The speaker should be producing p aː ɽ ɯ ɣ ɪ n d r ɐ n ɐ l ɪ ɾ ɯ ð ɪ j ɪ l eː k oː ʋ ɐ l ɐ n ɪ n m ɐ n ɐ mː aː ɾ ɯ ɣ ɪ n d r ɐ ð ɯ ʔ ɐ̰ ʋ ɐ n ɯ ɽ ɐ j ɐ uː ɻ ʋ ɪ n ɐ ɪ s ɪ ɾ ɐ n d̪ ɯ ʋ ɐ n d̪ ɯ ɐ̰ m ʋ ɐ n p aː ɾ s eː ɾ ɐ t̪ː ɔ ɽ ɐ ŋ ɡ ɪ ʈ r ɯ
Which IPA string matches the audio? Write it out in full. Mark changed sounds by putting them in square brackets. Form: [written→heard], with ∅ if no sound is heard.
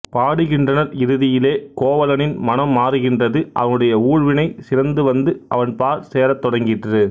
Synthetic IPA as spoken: p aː ɽ ɯ ɣ ɪ n d r ɐ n ɐ [l→ɾ] ɪ ɾ ɯ ð ɪ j ɪ l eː k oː ʋ ɐ l ɐ n ɪ n m ɐ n ɐ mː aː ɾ ɯ ɣ ɪ n d r ɐ ð ɯ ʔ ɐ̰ ʋ ɐ n ɯ ɽ ɐ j ɐ uː ɻ ʋ ɪ n ɐ ɪ s ɪ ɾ ɐ n d̪ ɯ ʋ ɐ n d̪ ɯ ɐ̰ [m→∅] ʋ ɐ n p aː ɾ s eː ɾ ɐ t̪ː ɔ ɽ ɐ ŋ ɡ ɪ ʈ r ɯ

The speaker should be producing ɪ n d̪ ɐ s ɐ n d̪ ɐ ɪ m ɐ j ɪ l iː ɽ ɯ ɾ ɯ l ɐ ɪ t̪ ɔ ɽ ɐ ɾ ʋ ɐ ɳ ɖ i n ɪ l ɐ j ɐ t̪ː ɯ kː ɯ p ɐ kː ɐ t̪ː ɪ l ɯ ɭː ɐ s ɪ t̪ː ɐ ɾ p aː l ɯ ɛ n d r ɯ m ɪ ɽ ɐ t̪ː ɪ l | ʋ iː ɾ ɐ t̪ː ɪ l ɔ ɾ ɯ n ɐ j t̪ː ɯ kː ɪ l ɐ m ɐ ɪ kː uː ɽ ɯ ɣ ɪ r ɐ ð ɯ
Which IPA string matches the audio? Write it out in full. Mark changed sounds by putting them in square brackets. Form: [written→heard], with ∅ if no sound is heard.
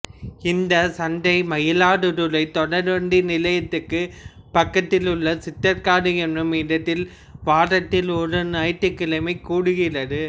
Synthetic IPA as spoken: ɪ n d̪ ɐ s ɐ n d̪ ɐ ɪ m ɐ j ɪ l [iː→aː] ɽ ɯ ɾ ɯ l ɐ ɪ t̪ ɔ ɽ ɐ ɾ ʋ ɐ ɳ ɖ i n ɪ l ɐ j ɐ t̪ː ɯ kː ɯ p ɐ kː ɐ t̪ː ɪ l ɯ ɭː ɐ s ɪ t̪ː ɐ ɾ [p→k] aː [l→ɽ] ɯ ɛ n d r ɯ m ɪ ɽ ɐ t̪ː ɪ l | ʋ [iː→aː] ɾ ɐ t̪ː ɪ l ɔ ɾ ɯ n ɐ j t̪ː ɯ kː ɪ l ɐ m ɐ ɪ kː uː ɽ ɯ ɣ ɪ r ɐ ð ɯ

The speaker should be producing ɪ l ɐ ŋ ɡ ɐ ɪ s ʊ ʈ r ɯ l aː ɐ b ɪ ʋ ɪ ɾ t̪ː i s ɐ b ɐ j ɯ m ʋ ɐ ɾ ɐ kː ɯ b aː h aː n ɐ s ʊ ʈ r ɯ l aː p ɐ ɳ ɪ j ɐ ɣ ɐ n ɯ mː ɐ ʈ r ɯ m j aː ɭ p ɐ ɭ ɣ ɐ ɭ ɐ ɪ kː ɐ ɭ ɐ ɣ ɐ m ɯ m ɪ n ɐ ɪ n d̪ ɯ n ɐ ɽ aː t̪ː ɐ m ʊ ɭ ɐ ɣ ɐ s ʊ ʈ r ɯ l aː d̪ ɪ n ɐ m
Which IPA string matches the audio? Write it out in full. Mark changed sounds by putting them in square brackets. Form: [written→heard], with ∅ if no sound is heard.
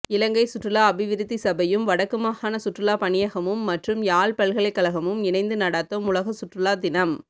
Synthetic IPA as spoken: ɪ l ɐ ŋ ɡ ɐ ɪ s ʊ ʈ r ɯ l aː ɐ b ɪ ʋ ɪ ɾ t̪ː i s ɐ b ɐ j ɯ m ʋ ɐ [ɾ→ɽ] ɐ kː ɯ [b→m] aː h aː n ɐ s ʊ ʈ r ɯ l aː p ɐ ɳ ɪ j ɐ ɣ ɐ [n→m] ɯ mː ɐ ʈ r ɯ m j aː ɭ p ɐ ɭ ɣ ɐ ɭ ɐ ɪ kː ɐ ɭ ɐ ɣ ɐ m ɯ m ɪ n ɐ ɪ n d̪ ɯ n ɐ ɽ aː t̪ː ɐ m ʊ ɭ ɐ ɣ ɐ s ʊ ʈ r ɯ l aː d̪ ɪ n ɐ m

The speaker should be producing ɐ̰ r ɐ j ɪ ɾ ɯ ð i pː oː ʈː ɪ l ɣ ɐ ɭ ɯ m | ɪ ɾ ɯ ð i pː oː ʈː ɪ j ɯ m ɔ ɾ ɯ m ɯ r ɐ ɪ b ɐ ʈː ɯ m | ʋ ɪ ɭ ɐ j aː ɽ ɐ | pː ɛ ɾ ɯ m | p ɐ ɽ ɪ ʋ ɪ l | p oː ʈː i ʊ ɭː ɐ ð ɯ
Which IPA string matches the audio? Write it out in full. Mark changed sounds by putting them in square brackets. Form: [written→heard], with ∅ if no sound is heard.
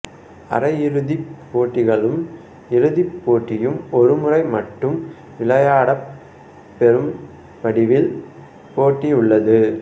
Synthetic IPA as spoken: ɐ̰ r ɐ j ɪ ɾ ɯ ð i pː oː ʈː ɪ [l→∅] ɣ ɐ ɭ ɯ m | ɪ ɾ ɯ ð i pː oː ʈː ɪ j ɯ m ɔ ɾ ɯ m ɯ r ɐ ɪ [b→m] ɐ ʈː ɯ m | ʋ ɪ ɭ ɐ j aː ɽ ɐ | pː ɛ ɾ ɯ m | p ɐ ɽ ɪ ʋ ɪ l | p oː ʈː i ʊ ɭː ɐ ð ɯ

